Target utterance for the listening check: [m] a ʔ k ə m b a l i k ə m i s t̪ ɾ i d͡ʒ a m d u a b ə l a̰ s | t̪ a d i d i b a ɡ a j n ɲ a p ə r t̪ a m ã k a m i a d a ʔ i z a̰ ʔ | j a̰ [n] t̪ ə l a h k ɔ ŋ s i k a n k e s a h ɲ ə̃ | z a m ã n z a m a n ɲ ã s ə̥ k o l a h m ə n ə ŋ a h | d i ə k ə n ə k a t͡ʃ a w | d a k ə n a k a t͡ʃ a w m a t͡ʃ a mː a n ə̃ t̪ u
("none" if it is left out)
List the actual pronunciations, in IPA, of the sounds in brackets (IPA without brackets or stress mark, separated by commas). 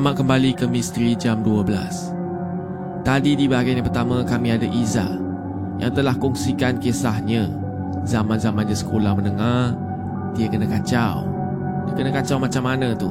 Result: m, ŋ